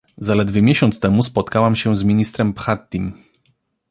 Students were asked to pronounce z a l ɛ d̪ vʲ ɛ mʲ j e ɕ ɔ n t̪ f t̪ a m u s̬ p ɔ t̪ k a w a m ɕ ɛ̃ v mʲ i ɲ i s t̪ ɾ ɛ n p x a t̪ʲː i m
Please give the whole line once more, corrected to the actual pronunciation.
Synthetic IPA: z a l ɛ d̪ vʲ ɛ mʲ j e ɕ ɔ n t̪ s t̪ ɛ m u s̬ p ɔ t̪ k a w a m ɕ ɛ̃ z mʲ i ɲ i s t̪ ɾ ɛ m p x a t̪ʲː i m